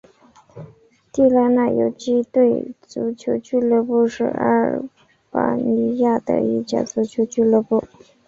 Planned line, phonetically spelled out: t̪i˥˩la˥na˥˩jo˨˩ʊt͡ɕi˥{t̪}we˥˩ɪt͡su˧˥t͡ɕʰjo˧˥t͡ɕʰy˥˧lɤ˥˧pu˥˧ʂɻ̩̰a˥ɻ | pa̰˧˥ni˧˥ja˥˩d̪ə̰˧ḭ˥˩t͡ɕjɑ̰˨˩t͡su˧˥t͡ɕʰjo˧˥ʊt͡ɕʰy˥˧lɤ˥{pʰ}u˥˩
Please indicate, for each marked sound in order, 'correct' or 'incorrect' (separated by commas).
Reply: correct, incorrect